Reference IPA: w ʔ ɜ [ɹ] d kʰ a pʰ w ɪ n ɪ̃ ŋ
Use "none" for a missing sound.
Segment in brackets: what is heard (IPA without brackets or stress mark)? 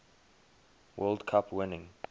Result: l